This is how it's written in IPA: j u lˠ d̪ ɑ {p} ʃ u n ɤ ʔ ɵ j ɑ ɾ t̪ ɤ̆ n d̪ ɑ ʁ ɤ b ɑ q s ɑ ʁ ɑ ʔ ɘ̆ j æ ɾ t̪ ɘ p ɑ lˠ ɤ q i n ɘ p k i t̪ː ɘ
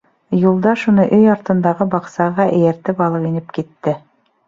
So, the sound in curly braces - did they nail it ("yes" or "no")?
no